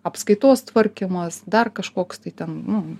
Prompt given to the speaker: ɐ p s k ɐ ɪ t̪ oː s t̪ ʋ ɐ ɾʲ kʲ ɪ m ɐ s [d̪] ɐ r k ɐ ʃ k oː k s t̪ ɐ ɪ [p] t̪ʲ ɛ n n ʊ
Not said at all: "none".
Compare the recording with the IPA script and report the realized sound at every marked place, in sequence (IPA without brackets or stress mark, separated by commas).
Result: d̪, none